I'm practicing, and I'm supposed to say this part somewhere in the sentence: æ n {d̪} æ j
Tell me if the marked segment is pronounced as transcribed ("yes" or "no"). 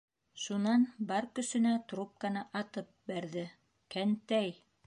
no